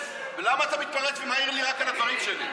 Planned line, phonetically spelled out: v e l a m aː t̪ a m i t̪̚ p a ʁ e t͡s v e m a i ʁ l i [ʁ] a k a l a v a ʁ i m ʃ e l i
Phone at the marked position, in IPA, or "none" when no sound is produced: ʁ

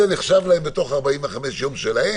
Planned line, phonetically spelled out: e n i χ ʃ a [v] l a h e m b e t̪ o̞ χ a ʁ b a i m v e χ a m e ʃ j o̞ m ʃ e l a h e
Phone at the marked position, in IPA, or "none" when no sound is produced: v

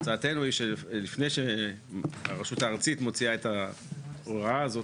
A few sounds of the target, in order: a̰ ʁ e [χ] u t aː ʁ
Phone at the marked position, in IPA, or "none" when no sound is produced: ʃ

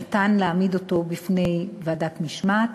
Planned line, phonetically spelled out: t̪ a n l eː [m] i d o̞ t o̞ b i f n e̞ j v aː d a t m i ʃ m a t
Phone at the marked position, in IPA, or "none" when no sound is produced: m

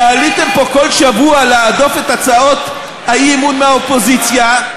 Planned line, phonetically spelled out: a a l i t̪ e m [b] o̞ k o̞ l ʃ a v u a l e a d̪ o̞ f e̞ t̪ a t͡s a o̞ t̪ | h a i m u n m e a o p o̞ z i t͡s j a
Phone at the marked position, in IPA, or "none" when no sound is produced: p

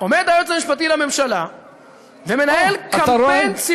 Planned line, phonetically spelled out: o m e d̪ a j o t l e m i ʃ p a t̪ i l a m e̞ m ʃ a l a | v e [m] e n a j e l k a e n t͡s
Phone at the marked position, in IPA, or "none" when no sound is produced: m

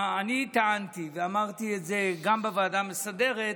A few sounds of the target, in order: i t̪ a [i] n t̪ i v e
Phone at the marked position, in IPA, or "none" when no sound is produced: a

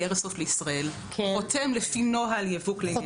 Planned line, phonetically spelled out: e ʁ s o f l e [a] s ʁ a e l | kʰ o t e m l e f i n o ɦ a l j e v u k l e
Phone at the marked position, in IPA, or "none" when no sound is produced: i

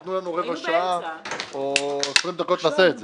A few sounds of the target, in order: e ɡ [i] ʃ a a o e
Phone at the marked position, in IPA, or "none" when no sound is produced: a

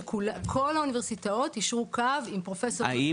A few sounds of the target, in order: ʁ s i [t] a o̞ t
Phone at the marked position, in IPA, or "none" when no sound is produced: t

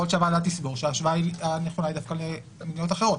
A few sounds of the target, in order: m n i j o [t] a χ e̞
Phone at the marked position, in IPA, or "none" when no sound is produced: t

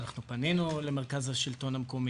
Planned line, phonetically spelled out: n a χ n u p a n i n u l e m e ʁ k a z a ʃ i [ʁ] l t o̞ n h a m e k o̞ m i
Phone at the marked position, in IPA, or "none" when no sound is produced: none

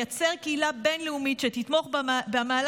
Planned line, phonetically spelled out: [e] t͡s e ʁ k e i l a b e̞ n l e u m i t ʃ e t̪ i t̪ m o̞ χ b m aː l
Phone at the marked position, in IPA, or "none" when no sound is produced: a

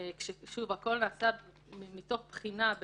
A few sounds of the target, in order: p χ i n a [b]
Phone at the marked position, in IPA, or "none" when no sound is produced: b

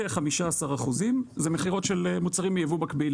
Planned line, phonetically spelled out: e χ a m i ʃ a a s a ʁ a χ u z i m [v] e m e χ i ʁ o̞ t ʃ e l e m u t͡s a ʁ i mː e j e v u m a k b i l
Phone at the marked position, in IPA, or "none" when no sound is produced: z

